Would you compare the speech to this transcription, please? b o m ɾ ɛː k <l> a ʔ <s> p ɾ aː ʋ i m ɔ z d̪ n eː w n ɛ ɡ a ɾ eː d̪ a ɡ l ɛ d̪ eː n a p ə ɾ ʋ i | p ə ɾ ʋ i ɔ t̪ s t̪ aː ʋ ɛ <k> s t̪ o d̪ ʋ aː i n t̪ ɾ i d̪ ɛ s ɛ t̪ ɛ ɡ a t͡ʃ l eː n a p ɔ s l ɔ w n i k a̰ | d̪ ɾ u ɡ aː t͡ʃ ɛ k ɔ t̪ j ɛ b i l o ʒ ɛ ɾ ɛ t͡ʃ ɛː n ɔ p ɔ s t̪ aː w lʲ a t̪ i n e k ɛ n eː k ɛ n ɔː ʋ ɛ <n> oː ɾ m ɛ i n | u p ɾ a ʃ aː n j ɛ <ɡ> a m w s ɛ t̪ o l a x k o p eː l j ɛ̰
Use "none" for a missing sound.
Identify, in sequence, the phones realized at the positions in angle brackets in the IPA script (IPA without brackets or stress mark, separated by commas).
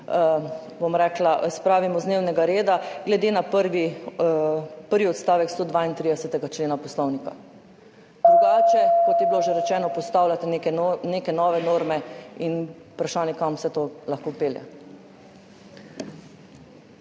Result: l, s, k, n, k